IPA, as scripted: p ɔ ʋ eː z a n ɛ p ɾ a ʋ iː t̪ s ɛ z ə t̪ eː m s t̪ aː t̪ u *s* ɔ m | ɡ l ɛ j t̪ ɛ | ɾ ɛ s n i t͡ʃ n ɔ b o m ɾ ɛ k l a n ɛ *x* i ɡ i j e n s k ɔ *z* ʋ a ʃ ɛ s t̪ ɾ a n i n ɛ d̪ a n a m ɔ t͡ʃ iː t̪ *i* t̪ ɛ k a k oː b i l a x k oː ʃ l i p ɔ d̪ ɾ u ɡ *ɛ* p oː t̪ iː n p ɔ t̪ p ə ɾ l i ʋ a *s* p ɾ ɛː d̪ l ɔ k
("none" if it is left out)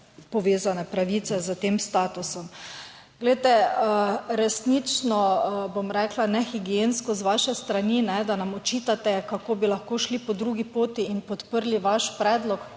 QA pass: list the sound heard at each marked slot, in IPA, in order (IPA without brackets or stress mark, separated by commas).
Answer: s, x, z, a, i, ʃ